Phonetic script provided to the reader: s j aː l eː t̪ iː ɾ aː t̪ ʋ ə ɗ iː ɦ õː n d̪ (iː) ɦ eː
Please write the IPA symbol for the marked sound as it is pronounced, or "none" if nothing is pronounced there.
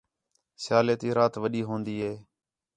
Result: iː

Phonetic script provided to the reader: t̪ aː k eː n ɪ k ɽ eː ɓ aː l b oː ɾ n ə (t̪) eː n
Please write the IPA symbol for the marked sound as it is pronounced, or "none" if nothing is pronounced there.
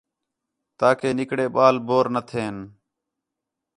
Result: t̪ʰ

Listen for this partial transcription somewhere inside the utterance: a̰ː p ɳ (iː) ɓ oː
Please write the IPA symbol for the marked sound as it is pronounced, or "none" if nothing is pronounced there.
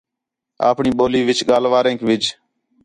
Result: iː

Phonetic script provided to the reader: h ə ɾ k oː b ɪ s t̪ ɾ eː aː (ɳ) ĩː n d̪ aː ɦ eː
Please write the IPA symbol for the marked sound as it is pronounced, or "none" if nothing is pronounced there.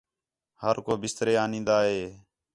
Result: n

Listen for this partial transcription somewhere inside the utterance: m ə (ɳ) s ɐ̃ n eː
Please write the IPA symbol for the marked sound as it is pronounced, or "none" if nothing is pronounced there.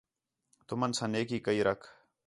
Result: n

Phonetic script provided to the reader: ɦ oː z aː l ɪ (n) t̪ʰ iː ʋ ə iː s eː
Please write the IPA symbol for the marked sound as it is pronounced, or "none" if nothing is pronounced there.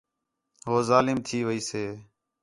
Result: m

